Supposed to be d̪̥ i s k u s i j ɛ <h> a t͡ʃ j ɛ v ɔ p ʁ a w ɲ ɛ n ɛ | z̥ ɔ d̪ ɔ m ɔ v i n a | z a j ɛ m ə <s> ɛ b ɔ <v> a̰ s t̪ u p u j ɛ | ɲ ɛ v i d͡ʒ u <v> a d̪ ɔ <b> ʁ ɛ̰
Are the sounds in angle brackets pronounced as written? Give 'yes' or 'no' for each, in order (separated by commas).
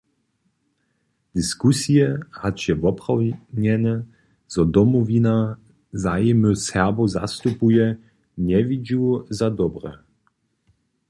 yes, yes, no, no, yes